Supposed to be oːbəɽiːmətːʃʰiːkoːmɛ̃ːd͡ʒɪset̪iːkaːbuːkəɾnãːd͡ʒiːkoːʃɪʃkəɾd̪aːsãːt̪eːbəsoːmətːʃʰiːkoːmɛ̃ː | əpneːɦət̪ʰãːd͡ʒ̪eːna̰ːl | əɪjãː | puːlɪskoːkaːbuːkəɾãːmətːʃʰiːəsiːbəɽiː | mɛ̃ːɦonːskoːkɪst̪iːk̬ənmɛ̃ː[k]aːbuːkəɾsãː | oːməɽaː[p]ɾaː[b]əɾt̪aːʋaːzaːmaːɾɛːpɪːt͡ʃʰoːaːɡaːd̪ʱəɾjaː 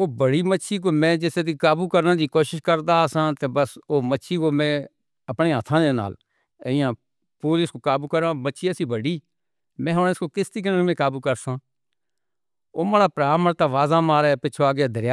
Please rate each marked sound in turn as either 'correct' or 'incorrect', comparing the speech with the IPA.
correct, correct, incorrect: m

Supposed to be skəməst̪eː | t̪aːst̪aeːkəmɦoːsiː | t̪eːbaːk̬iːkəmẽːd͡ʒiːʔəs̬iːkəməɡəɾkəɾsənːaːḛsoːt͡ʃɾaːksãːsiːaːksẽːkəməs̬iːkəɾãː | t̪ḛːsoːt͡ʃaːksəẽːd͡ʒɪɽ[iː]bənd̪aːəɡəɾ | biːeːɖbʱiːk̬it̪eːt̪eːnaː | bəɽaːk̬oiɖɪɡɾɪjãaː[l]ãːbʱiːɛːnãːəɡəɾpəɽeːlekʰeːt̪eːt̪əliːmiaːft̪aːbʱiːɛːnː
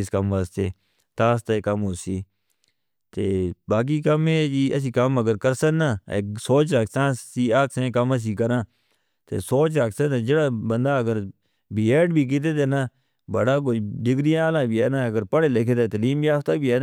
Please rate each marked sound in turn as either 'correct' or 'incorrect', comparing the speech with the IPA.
incorrect: aː, correct

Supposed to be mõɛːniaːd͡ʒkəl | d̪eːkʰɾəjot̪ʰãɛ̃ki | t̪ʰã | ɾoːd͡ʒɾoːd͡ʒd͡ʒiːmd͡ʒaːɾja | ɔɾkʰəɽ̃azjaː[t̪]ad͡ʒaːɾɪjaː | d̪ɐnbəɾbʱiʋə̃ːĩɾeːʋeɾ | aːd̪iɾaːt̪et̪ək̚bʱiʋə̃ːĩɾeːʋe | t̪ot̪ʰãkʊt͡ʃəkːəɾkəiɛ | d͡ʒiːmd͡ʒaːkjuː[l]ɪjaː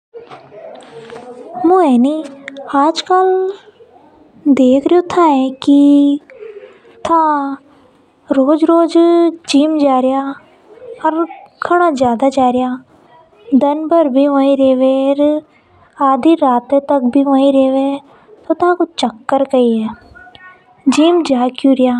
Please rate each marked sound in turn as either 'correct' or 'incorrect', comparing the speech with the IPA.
incorrect: d̪, incorrect: ɾ

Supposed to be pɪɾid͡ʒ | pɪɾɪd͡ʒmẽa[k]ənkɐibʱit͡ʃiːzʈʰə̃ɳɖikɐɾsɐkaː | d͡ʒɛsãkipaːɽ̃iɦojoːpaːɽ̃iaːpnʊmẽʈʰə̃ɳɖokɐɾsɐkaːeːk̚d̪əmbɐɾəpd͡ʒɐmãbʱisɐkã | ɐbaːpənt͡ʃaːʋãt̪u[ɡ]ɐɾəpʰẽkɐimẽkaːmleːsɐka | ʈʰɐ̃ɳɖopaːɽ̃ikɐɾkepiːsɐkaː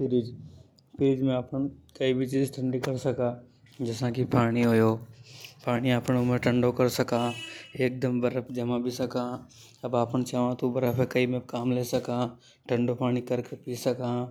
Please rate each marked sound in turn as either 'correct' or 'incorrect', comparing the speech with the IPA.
incorrect: p, incorrect: b

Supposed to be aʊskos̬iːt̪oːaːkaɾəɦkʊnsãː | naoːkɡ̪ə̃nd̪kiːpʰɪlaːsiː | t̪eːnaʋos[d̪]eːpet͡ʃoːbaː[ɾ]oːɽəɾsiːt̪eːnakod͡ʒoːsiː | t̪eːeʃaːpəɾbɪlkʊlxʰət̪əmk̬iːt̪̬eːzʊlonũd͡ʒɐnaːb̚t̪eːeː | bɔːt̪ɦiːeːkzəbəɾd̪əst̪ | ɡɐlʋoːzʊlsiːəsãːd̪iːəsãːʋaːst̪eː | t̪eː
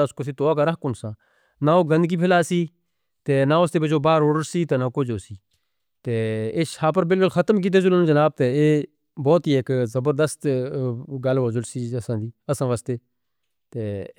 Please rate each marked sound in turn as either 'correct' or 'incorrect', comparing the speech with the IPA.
incorrect: t̪, correct

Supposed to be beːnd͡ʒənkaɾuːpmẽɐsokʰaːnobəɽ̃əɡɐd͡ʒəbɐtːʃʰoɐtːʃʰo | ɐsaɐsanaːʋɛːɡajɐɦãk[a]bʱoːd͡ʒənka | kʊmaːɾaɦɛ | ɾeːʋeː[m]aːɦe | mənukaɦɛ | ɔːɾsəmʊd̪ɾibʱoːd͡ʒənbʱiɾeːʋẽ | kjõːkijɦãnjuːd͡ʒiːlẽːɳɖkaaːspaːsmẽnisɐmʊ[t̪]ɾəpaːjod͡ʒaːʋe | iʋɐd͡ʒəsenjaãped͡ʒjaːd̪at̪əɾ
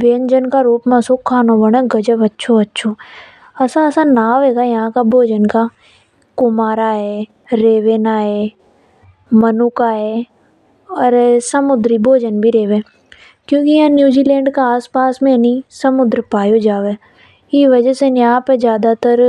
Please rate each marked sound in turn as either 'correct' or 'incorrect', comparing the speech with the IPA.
correct, incorrect: n, incorrect: d̪

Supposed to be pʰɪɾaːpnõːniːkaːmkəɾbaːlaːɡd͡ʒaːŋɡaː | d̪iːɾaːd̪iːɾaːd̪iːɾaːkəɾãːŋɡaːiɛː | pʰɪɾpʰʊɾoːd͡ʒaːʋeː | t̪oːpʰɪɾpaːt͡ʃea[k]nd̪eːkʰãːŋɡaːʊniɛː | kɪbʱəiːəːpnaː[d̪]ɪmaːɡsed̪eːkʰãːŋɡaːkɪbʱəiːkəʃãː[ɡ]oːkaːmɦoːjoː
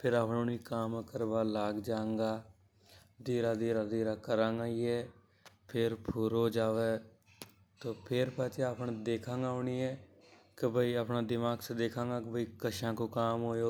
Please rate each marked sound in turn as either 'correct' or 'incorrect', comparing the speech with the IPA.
incorrect: p, correct, incorrect: k

